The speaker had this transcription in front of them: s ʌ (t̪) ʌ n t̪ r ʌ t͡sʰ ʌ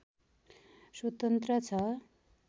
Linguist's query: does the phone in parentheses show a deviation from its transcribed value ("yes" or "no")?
no